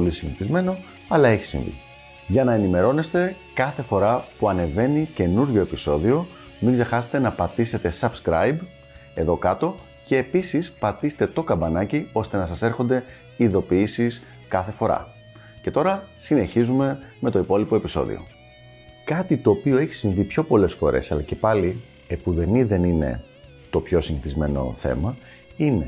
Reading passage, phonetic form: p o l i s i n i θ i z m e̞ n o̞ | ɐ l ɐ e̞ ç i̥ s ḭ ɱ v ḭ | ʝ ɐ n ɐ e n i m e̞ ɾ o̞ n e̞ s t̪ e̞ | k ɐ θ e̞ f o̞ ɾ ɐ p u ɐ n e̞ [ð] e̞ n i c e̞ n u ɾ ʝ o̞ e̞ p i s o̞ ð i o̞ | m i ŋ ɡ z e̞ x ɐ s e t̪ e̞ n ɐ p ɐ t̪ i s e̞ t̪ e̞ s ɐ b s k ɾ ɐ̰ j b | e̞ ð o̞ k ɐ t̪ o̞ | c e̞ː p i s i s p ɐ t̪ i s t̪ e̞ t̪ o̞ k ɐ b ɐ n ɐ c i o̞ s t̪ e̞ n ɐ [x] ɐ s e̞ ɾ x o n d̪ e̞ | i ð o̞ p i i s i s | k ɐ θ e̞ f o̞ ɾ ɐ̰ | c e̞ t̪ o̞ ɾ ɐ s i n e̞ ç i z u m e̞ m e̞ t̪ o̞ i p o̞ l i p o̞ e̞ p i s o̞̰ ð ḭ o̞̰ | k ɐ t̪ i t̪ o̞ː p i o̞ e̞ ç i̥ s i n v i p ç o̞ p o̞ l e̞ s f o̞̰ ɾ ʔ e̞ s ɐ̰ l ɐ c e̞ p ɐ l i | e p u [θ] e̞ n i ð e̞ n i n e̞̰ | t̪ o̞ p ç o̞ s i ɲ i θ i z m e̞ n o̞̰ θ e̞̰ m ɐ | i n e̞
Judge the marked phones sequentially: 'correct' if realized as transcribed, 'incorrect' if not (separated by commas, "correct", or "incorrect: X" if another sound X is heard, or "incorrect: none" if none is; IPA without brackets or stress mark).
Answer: incorrect: v, incorrect: s, incorrect: ð